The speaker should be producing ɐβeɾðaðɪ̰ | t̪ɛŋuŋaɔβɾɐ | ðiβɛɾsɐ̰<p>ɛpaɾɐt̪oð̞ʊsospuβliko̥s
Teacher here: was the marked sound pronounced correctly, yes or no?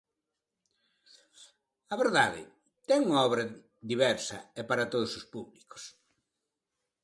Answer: no